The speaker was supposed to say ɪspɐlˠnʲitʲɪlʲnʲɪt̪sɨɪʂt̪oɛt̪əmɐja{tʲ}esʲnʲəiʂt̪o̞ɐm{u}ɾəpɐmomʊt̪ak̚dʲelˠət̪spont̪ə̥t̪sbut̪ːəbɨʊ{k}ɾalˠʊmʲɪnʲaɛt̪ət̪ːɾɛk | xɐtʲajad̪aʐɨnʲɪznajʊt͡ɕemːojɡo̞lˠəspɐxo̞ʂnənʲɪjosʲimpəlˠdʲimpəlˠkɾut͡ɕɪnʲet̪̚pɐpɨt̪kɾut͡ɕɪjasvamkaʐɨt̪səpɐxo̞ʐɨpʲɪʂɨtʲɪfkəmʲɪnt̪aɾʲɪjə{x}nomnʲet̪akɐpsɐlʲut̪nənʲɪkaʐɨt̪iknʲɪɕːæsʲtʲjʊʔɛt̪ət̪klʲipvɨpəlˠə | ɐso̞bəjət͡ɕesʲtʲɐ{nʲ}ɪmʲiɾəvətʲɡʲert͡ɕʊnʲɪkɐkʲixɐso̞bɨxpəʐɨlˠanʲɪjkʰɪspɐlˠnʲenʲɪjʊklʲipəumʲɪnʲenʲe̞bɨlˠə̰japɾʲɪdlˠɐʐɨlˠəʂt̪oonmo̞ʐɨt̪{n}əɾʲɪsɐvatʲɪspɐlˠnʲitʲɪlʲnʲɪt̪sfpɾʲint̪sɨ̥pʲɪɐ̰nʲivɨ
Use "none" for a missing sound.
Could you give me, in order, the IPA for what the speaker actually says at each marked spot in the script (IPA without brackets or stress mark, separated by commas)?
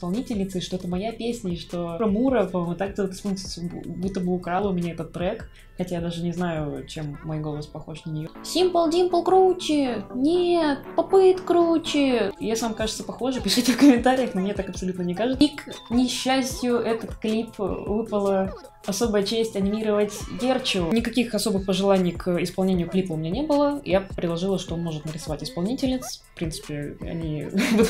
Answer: pʲ, u, k, x, nʲ, n